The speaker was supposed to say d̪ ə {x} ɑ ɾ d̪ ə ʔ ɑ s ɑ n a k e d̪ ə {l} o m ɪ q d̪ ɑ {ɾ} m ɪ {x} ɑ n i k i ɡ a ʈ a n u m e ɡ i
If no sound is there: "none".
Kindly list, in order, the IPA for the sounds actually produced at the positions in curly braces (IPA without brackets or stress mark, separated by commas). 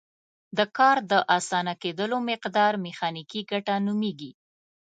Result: k, l, ɾ, x